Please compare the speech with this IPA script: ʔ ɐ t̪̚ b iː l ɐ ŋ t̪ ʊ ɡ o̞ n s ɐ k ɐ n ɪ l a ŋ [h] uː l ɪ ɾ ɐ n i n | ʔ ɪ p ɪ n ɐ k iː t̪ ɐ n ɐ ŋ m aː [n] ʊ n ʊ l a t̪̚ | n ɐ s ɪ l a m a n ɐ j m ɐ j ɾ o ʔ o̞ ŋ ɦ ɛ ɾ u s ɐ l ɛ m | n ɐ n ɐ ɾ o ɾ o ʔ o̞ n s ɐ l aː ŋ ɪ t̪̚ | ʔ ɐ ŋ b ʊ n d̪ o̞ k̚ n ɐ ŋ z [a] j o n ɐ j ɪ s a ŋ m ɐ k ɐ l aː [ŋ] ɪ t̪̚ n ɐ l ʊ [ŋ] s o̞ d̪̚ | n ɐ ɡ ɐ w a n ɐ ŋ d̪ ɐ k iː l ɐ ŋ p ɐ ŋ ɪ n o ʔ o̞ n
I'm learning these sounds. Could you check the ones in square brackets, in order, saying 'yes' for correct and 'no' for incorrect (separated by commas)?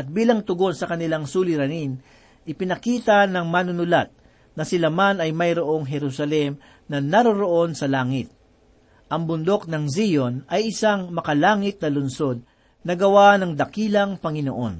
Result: no, yes, no, yes, no